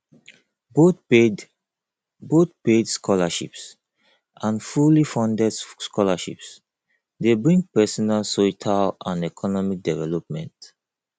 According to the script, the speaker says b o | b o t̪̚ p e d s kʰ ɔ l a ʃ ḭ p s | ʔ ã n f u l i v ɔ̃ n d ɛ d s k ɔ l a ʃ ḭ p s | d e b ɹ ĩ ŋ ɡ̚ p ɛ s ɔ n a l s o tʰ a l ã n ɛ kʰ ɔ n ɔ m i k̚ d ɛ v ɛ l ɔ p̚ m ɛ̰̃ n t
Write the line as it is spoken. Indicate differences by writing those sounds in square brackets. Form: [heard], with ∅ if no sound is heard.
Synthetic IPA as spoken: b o | b o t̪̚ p e d s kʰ ɔ l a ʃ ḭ p s | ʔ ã n f u l i [f] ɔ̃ n d ɛ d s k ɔ l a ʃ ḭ p s | d e b ɹ ĩ ŋ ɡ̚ p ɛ s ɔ n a l s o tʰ a l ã n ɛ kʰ ɔ n ɔ m i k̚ d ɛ v ɛ l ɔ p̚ m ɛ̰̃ n t